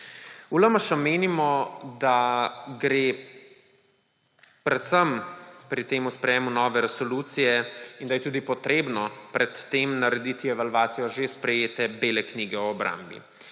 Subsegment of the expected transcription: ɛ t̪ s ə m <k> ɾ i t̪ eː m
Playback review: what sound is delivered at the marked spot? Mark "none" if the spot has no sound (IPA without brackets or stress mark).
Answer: p